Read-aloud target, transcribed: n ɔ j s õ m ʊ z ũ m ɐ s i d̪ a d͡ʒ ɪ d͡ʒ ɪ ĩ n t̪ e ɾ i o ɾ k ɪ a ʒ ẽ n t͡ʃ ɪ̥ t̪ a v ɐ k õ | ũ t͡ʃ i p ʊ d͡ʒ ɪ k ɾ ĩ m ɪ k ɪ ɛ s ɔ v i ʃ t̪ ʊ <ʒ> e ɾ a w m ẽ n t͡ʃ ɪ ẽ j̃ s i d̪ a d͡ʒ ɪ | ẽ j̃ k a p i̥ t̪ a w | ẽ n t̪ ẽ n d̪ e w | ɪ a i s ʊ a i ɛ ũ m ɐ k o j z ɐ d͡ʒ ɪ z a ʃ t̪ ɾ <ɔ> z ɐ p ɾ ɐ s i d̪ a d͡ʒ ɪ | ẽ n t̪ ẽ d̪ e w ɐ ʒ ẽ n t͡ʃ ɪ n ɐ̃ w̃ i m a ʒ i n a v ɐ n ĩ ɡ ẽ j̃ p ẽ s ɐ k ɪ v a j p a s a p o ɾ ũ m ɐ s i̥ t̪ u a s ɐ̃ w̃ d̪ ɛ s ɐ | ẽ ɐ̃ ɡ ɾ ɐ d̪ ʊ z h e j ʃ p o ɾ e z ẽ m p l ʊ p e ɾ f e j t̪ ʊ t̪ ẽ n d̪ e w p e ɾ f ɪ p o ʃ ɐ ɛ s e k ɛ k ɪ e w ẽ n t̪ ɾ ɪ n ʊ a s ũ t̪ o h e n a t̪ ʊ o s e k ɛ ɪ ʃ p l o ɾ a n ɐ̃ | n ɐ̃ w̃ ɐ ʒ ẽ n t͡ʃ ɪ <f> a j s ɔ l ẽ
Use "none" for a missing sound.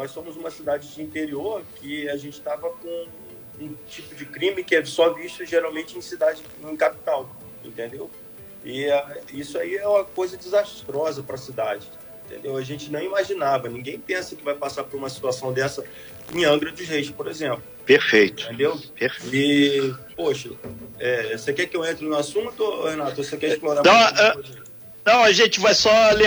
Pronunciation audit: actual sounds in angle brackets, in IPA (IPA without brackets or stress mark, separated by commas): ʒ, ɔ, v